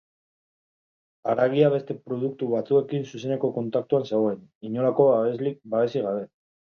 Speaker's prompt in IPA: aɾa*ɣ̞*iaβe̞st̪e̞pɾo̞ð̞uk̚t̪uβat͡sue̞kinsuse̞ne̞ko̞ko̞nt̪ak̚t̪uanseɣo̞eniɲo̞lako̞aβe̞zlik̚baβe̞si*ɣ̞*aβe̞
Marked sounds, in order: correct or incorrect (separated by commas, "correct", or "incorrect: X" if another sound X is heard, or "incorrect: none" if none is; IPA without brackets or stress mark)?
correct, correct